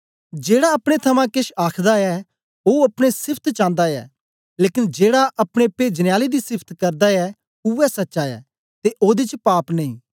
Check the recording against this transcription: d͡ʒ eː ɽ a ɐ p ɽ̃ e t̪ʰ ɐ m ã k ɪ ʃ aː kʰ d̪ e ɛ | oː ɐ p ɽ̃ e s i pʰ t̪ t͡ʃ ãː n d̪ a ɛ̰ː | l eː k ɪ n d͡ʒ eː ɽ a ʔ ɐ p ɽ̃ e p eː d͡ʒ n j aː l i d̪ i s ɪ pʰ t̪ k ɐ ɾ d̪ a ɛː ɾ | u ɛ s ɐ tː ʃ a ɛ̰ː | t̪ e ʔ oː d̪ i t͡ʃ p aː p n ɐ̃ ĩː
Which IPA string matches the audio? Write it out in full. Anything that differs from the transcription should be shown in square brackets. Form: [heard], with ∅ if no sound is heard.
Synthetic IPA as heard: d͡ʒ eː ɽ a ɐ p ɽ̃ e t̪ʰ ɐ m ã k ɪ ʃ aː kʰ d̪ [a] ɛ | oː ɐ p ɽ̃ e s [ɪ] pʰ t̪ t͡ʃ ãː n d̪ a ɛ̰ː | l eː k ɪ n d͡ʒ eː ɽ a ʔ ɐ p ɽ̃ e p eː d͡ʒ n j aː l i d̪ i s ɪ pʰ t̪ k ɐ ɾ d̪ a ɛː [∅] | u ɛ s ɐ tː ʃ a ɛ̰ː | t̪ e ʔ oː d̪ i t͡ʃ p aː p n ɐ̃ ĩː

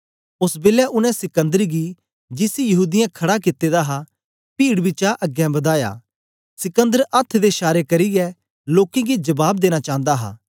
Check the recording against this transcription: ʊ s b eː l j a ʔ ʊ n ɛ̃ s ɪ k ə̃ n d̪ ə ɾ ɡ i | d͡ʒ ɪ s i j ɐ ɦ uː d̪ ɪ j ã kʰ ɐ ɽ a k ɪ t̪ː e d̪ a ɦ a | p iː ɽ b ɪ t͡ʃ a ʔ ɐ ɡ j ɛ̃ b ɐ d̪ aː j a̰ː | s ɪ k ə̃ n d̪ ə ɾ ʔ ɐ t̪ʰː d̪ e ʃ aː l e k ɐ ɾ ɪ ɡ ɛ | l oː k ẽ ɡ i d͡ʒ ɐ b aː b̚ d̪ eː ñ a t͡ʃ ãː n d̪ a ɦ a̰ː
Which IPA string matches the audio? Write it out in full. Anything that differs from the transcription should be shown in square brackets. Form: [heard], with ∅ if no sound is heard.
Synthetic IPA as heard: ʊ s b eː l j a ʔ ʊ n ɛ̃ s ɪ k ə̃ n d̪ ə ɾ ɡ i | d͡ʒ ɪ s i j ɐ ɦ uː d̪ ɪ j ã kʰ ɐ ɽ a k ɪ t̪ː e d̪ a ɦ a | p iː ɽ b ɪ t͡ʃ a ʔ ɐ ɡ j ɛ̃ b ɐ d̪ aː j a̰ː | s ɪ k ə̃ n d̪ ə ɾ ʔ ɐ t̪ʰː d̪ e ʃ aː [ɾ] e k ɐ ɾ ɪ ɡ ɛ | l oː k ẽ ɡ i d͡ʒ ɐ b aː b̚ d̪ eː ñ a t͡ʃ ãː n d̪ a ɦ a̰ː

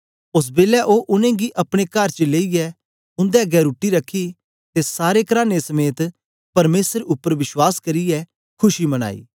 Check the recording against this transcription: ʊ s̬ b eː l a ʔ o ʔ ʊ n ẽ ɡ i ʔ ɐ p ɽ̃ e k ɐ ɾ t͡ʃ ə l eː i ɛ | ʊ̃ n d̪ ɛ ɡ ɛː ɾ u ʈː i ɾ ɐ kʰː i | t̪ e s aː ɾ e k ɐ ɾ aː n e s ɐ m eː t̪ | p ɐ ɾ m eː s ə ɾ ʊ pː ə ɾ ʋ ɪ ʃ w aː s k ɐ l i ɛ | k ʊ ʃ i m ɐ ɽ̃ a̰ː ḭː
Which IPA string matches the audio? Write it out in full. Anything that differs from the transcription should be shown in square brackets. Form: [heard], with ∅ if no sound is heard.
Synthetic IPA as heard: ʊ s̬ b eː l [ɛ] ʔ o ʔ ʊ n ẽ ɡ i ʔ ɐ p ɽ̃ e k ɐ ɾ t͡ʃ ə l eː i ɛ | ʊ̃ n d̪ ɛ ɡ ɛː ɾ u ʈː i ɾ ɐ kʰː i | t̪ e s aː ɾ e k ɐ ɾ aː n e s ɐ m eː t̪ | p ɐ ɾ m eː s ə ɾ ʊ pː ə ɾ ʋ ɪ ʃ w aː s k ɐ [ɾ] i ɛ | [kʰ] ʊ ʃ i m ɐ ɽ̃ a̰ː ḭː

